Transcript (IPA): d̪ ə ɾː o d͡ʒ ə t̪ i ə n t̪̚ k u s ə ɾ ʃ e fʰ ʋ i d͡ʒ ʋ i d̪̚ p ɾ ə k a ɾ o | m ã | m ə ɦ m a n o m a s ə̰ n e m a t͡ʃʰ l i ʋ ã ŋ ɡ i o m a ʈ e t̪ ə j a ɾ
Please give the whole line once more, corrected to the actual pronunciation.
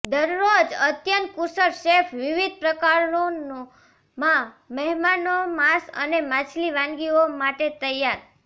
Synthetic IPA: d̪ ə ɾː o d͡ʒ ə t̪ j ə n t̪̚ k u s ə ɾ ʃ e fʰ ʋ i ʋ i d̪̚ p ɾ ə k a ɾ o | m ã | m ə ɦ m a n o m a s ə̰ n e m a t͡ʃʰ l i ʋ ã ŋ ɡ i o m a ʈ e t̪ ə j a ɾ